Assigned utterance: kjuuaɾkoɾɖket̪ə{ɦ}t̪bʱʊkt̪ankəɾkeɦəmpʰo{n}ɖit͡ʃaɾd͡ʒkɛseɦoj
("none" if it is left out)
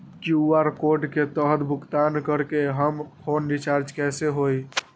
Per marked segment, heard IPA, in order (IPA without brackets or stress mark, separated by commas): ɦ, n